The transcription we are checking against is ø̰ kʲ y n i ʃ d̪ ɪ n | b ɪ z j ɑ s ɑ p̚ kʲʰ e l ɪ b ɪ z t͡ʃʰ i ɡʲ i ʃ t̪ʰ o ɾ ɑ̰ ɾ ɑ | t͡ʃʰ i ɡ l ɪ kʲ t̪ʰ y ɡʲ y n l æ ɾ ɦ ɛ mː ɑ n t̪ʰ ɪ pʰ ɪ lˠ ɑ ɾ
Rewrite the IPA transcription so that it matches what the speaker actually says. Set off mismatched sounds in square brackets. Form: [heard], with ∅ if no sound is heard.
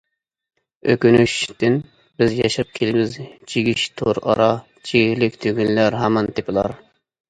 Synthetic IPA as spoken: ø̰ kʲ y n [y] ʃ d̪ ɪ n | b ɪ z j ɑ [ʃ] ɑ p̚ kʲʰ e l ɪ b ɪ z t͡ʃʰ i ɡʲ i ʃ t̪ʰ o ɾ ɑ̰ ɾ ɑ | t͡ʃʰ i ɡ l ɪ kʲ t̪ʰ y ɡʲ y n l æ ɾ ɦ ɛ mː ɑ n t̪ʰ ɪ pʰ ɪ lˠ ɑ ɾ

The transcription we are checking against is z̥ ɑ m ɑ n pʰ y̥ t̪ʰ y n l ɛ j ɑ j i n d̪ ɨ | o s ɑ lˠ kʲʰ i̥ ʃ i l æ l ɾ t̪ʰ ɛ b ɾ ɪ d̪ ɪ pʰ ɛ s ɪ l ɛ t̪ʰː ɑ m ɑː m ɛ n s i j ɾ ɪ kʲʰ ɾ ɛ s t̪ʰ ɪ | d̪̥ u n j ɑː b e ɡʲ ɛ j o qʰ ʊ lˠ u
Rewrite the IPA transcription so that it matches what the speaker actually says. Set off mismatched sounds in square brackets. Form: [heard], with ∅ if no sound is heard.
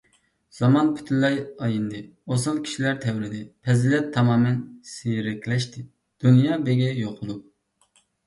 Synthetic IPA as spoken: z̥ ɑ m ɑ n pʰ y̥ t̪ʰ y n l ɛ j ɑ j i n d̪ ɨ | o s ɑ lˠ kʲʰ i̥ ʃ i l æ [∅] ɾ t̪ʰ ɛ [w] ɾ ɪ d̪ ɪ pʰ ɛ [z] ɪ l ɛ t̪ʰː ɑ m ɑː m ɛ n s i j ɾ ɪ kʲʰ [l] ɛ [ʃ] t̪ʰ ɪ | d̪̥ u n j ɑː b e ɡʲ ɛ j o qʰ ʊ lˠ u

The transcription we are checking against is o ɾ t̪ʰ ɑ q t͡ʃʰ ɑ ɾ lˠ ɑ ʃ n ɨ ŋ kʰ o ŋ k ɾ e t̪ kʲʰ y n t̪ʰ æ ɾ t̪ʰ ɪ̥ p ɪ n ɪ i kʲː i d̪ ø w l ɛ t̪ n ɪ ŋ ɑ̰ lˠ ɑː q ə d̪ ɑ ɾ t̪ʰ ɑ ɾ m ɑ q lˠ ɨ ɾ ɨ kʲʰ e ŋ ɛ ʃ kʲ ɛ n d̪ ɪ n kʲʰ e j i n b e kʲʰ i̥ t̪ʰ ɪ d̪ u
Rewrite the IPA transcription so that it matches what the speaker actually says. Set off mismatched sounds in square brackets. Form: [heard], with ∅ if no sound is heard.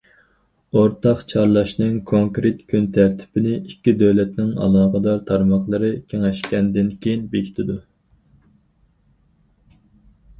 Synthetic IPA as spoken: o ɾ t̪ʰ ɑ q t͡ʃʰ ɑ ɾ lˠ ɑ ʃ n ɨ ŋ kʰ o ŋ k ɾ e t̪ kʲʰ y n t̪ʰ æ ɾ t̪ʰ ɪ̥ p ɪ n ɪ i kʲː i d̪ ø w l ɛ t̪ n ɪ ŋ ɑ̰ lˠ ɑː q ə d̪ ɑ ɾ t̪ʰ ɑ ɾ m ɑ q lˠ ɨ ɾ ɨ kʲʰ e ŋ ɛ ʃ kʲ ɛ n d̪ ɪ n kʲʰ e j i n b e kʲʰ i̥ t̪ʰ ɪ d̪ u

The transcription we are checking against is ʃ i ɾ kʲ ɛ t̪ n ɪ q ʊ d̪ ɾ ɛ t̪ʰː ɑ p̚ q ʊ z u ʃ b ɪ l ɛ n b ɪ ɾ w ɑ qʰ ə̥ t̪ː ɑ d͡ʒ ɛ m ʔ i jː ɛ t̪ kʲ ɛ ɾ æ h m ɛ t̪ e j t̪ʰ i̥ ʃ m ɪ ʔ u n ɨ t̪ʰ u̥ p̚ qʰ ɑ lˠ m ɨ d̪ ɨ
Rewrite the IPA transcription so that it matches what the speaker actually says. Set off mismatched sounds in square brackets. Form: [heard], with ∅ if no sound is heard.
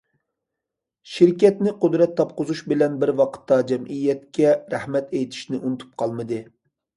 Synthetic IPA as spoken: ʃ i ɾ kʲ ɛ t̪ n ɪ q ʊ d̪ ɾ ɛ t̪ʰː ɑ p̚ q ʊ z u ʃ b ɪ l ɛ n b ɪ ɾ w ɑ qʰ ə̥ t̪ː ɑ d͡ʒ ɛ m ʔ i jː ɛ t̪ kʲ ɛ ɾ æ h m ɛ t̪ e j t̪ʰ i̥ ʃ [n] ɪ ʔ u n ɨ t̪ʰ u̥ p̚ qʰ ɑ lˠ m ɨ d̪ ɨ

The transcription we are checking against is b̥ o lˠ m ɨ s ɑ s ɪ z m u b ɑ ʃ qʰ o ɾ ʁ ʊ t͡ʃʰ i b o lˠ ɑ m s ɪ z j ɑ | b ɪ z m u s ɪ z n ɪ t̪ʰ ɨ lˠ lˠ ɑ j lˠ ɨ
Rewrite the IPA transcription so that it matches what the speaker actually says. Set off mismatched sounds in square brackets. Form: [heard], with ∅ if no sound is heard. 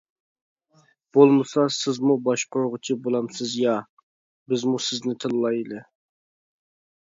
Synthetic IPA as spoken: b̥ o lˠ m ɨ s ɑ s ɪ z m u b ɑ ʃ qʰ o ɾ ʁ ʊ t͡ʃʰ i b o lˠ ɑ m s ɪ z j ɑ | b ɪ z m u s ɪ z n ɪ t̪ʰ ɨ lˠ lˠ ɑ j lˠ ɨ

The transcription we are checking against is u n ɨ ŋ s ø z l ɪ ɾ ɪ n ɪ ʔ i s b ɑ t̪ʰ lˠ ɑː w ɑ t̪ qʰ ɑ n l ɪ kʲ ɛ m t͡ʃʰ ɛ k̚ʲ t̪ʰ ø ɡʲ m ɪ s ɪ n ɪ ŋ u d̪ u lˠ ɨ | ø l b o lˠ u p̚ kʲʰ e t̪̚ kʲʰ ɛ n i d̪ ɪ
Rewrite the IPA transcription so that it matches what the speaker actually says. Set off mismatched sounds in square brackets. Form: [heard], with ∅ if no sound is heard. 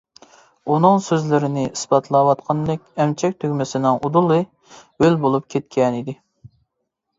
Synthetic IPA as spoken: u n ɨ ŋ s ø z l ɪ ɾ ɪ n ɪ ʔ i s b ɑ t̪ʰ lˠ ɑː w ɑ t̪ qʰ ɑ n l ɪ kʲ ɛ m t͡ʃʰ ɛ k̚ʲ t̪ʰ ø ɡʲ m ɪ s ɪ n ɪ ŋ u d̪ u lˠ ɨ | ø l b o lˠ u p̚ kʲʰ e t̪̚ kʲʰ ɛ n i d̪ ɪ

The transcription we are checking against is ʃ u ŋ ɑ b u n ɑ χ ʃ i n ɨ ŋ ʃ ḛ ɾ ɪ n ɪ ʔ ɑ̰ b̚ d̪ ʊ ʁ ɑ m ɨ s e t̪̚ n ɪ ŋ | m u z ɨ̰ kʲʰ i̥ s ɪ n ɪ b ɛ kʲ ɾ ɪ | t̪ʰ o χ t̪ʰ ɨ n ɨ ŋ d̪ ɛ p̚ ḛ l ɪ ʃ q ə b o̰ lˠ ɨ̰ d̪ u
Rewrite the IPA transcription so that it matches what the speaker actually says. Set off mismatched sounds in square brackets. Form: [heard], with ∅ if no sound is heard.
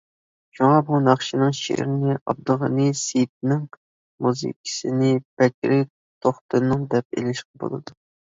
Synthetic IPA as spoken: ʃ u ŋ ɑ b u n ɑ χ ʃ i n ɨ ŋ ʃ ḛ ɾ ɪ n ɪ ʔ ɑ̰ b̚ d̪ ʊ ʁ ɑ [n] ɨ s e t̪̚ n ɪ ŋ | m u z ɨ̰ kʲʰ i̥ s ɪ n ɪ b ɛ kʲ ɾ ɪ | t̪ʰ o χ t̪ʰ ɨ n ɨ ŋ d̪ ɛ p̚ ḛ l ɪ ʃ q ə b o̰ lˠ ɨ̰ d̪ u

